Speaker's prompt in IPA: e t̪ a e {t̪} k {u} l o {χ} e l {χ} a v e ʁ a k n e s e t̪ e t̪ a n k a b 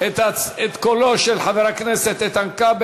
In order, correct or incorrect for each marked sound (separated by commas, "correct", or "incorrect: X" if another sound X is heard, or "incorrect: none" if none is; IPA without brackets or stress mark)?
correct, incorrect: o, incorrect: ʃ, incorrect: ħ